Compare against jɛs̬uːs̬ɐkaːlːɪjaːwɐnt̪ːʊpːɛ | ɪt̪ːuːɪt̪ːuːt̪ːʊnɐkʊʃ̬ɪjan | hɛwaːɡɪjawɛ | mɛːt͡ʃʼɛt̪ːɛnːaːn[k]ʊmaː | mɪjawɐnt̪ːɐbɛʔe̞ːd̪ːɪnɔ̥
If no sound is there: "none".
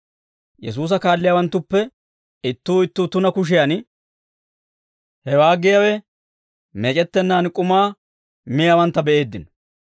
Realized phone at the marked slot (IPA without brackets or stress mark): kʼ